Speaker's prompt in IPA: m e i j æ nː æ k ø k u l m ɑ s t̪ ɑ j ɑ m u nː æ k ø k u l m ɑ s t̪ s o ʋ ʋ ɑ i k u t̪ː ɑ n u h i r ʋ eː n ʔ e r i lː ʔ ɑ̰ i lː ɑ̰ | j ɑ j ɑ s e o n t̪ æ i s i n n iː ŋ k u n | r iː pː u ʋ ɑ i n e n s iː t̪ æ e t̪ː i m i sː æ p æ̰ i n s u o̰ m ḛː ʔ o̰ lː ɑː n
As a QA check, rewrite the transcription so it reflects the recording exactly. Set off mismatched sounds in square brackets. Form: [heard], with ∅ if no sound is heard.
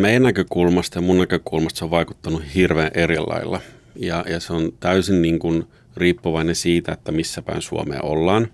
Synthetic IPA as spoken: m e i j æ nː æ k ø k u l m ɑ s t̪ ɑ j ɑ m u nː æ k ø k u l m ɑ s t̪ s o ʋ ʋ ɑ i k u t̪ː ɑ n u h i r ʋ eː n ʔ e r i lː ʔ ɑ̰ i lː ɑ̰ | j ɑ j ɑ s e o n t̪ æ [y] s i n n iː ŋ k u n | r iː pː u ʋ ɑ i n e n s iː t̪ æ e t̪ː [æ] m i sː æ p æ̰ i n s u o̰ m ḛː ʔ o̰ lː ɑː n